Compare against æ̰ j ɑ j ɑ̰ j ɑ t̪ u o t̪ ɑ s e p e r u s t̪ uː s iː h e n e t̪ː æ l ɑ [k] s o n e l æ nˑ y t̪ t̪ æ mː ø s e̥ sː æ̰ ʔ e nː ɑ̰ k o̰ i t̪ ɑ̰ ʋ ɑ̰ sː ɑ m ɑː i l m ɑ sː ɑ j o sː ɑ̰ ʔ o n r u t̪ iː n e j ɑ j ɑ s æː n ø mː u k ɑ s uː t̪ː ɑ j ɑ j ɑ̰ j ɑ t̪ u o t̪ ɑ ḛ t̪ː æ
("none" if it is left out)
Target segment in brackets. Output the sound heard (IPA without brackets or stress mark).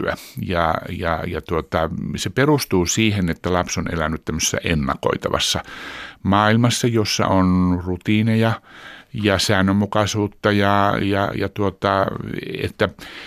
p